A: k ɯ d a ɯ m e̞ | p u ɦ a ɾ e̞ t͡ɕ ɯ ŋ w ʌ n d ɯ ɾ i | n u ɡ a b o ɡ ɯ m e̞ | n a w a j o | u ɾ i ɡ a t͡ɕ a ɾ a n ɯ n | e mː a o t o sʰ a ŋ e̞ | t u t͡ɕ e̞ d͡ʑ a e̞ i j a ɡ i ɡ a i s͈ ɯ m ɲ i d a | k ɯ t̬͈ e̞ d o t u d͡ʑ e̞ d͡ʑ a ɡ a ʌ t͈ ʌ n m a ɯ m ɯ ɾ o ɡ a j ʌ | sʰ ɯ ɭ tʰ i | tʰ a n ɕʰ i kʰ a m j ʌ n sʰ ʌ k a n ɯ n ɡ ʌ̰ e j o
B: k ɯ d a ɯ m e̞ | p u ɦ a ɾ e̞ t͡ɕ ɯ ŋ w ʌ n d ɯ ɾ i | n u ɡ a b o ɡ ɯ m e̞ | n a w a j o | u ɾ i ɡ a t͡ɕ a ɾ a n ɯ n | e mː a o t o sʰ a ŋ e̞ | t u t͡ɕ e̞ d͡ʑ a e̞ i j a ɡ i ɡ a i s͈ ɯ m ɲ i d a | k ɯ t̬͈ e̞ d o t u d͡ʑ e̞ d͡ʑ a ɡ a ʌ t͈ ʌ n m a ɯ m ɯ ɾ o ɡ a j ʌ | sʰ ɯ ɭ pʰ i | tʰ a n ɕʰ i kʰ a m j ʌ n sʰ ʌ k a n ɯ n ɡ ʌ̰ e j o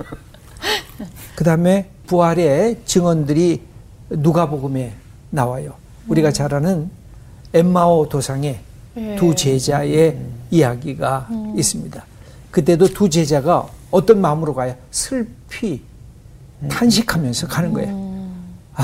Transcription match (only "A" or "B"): B